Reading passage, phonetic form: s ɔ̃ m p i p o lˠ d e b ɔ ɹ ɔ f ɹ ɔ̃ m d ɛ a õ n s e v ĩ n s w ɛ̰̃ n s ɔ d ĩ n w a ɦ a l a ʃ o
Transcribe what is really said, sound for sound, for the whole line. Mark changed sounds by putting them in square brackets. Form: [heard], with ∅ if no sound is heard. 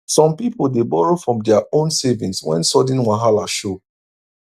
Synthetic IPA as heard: s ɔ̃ m p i p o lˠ d e b ɔ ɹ [o] f ɹ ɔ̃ m d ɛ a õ n s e v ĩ n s w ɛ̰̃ n s ɔ d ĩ n w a ɦ a l a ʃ o